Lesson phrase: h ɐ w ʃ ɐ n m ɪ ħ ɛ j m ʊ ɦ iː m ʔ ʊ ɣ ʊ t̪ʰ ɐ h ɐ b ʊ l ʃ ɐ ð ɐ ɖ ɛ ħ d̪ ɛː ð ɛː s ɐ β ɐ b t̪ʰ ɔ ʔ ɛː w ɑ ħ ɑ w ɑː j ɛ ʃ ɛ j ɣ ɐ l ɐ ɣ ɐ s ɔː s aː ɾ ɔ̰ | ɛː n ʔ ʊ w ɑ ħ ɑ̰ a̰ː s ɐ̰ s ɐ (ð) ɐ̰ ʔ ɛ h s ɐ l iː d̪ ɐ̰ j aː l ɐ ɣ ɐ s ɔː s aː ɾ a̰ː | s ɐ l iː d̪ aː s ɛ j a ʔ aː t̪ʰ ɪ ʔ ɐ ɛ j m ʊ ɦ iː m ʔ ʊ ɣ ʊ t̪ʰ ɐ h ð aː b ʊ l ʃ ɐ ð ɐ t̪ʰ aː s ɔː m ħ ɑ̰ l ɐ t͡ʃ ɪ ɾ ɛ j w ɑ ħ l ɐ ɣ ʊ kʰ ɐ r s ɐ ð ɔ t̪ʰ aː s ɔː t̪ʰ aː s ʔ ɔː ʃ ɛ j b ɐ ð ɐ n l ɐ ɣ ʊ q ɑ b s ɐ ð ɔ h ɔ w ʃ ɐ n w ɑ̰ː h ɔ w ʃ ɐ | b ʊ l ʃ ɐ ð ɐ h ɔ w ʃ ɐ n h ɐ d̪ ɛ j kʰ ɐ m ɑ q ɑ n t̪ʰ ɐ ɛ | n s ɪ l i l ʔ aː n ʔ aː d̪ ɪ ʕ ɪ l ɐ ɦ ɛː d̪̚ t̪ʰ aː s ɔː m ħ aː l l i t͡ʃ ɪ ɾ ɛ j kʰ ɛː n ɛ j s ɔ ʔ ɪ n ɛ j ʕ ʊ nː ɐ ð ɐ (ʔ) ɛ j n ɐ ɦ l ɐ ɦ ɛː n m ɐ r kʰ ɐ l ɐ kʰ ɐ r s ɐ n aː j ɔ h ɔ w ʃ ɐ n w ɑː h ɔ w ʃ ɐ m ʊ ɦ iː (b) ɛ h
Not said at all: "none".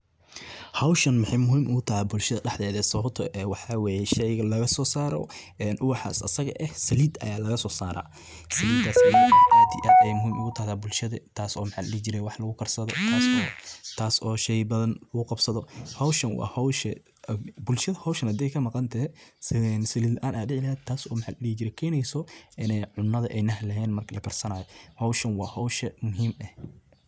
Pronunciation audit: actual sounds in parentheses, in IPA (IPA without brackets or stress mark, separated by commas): ɣ, ʔ, m